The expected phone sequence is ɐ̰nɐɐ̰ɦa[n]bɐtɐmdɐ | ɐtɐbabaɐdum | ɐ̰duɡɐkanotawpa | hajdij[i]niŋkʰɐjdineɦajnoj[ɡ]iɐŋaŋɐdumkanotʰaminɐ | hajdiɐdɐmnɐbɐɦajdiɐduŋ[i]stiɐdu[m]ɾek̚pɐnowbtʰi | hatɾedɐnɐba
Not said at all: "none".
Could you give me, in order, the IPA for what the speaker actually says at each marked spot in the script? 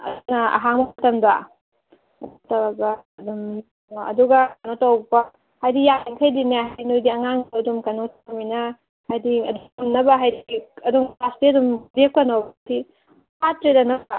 ŋ, a, d, a, m

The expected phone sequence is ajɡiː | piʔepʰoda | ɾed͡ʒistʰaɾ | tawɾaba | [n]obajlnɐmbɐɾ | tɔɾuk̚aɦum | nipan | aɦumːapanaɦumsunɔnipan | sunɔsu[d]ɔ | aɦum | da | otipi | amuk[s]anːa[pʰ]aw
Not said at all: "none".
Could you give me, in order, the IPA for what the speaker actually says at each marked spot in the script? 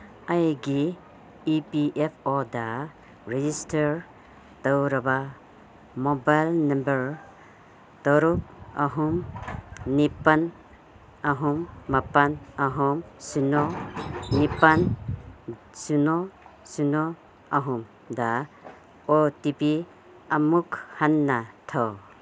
m, n, h, tʰ

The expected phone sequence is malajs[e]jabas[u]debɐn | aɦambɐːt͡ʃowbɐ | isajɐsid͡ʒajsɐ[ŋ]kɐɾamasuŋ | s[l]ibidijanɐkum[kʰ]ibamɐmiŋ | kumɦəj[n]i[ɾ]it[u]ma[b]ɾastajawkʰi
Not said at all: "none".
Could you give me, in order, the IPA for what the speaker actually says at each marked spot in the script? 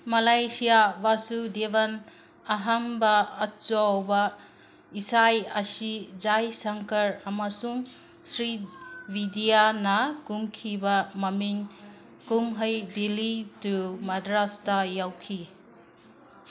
i, u, ŋ, ɾ, kʰ, d, l, u, d

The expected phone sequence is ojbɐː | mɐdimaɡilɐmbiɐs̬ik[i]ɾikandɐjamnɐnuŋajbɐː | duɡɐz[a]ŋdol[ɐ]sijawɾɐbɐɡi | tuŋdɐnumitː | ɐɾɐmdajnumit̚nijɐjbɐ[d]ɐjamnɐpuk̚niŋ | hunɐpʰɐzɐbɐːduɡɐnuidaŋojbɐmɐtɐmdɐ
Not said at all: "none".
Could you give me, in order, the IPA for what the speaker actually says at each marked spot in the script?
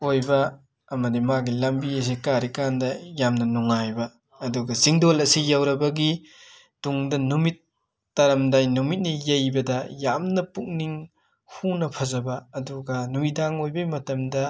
a, i, ɐ, d

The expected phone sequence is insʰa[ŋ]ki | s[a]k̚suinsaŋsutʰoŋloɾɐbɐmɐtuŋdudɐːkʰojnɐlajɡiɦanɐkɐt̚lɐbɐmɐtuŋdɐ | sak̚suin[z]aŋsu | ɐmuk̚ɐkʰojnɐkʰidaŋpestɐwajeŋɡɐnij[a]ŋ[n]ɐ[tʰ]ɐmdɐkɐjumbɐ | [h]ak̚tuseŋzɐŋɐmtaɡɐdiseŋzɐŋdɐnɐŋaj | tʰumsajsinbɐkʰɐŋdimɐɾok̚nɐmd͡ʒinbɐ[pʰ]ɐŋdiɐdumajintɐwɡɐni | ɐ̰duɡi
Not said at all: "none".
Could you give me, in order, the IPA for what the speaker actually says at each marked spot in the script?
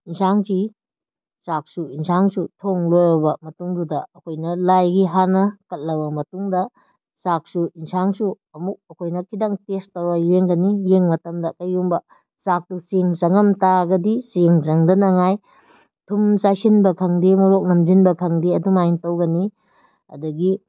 ŋ, a, s, e, m, t, s, kʰ

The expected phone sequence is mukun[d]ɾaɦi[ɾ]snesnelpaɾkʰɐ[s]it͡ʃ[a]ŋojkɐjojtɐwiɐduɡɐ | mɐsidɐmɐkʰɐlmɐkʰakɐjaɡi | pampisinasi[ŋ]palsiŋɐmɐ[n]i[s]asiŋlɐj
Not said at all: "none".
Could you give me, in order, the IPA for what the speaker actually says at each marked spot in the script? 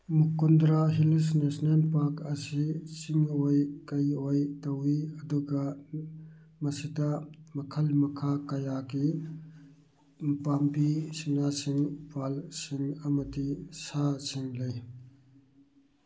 d, l, s, i, ŋ, d, s

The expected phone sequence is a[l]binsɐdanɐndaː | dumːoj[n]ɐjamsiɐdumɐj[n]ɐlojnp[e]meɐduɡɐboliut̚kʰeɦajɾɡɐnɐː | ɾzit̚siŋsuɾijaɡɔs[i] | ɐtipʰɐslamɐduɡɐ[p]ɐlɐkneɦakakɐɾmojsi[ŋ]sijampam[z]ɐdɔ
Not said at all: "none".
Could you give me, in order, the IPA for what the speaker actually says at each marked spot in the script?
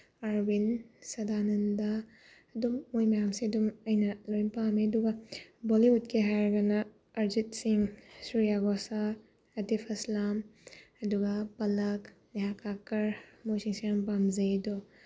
ɾ, m, n, a, a, p, ŋ, z

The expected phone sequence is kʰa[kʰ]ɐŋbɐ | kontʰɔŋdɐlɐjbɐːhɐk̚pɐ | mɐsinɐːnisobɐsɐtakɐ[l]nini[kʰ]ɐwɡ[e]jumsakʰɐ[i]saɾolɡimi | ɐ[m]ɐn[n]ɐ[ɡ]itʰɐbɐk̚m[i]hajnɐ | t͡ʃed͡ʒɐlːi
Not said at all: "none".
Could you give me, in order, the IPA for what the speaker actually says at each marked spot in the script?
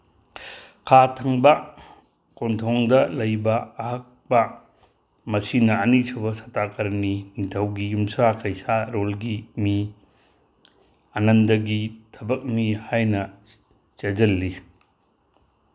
tʰ, ɾ, tʰ, i, j, n, d, ɡ, i

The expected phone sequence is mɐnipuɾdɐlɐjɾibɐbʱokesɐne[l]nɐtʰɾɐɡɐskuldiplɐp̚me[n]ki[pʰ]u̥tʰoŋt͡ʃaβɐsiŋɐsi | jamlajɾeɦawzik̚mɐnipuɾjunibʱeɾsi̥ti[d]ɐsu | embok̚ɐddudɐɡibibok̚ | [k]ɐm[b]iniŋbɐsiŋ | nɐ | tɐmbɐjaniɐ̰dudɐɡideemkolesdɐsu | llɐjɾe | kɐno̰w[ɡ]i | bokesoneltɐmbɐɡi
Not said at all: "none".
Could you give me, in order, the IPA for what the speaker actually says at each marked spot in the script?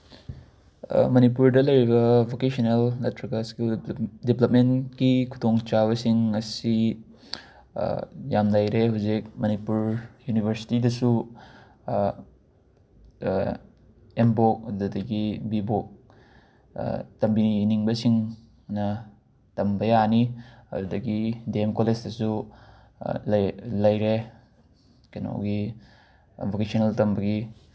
l, n, kʰ, d, t, b, ɡ

